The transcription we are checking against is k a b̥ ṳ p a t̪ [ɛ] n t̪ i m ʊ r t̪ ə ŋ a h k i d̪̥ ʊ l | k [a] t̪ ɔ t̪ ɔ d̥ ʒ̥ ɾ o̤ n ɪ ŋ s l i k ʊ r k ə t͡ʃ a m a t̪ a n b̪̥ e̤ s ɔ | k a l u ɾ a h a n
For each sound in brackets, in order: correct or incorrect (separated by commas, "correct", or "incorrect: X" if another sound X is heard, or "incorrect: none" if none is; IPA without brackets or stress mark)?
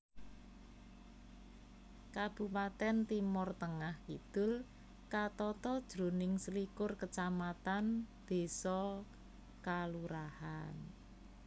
correct, correct